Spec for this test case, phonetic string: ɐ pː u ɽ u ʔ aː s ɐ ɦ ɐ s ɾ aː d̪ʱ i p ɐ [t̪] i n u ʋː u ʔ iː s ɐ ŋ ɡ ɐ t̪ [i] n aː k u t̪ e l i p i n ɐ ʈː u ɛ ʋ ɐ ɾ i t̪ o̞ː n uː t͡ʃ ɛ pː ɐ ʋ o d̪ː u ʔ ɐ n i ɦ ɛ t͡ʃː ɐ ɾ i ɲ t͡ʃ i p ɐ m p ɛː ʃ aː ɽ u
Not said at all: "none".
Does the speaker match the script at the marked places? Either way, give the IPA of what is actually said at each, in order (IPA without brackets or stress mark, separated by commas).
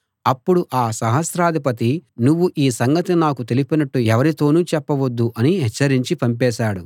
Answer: t̪, i